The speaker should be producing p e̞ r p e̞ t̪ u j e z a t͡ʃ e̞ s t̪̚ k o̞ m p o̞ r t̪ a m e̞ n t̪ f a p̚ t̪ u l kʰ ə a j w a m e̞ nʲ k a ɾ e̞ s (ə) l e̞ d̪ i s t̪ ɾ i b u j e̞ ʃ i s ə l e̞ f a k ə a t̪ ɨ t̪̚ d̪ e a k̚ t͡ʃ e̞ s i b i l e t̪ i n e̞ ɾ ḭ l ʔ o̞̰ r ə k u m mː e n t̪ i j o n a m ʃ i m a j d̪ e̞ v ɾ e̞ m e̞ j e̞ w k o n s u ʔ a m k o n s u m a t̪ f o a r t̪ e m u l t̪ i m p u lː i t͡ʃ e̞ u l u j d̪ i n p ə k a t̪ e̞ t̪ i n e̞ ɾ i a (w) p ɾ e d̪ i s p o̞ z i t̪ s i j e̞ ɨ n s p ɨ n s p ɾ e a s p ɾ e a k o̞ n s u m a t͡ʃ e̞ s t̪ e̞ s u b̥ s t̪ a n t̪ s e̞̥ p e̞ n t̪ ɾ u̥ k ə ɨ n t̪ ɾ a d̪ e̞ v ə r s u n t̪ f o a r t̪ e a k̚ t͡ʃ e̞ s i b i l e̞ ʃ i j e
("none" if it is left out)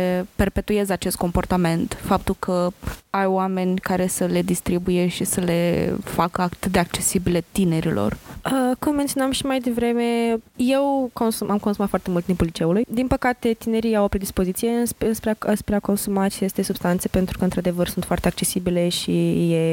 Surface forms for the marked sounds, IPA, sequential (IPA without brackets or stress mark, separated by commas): ə, w